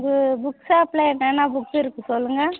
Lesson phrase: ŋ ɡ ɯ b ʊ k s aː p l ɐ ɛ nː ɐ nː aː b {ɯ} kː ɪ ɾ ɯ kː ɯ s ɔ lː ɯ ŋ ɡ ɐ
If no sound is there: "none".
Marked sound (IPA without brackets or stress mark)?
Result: ʊ